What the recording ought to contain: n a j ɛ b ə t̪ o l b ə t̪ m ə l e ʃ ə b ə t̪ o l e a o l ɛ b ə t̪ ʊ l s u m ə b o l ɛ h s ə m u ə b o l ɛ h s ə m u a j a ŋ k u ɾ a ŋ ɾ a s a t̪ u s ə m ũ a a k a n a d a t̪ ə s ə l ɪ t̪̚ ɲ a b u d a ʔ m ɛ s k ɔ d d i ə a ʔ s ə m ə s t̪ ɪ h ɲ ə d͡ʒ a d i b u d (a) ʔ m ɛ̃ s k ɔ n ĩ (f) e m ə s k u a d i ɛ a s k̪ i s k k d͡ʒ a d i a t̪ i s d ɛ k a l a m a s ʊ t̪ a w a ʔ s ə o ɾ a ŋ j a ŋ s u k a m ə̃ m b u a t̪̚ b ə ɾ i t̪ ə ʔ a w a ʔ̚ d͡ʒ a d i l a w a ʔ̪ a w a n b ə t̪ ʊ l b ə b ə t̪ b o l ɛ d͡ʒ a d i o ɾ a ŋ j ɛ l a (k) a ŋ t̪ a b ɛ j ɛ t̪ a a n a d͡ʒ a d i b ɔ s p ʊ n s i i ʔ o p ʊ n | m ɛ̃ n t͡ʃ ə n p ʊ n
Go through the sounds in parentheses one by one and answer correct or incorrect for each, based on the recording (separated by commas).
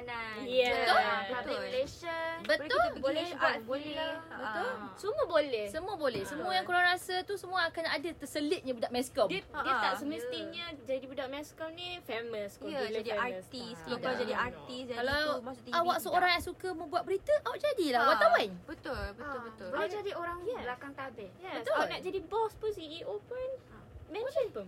correct, correct, correct